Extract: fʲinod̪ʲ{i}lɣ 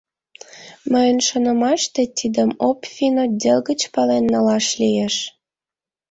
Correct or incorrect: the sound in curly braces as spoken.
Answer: incorrect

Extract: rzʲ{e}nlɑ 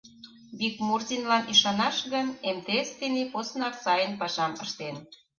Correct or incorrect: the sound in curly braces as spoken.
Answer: incorrect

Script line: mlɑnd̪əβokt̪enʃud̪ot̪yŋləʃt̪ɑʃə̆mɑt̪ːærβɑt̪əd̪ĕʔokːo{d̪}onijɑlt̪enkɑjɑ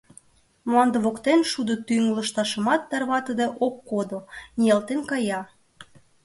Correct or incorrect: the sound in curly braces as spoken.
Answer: correct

